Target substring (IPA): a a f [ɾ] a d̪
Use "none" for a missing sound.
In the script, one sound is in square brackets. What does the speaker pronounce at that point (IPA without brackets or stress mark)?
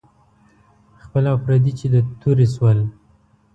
ɾ